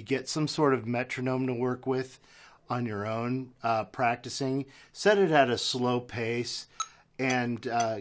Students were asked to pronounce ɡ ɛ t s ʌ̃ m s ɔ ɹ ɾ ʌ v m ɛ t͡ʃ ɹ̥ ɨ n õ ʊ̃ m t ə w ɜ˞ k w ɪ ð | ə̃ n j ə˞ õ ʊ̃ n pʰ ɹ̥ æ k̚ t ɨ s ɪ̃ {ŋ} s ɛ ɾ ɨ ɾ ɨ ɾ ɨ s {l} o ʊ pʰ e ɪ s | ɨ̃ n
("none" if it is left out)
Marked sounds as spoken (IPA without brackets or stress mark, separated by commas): ŋ, l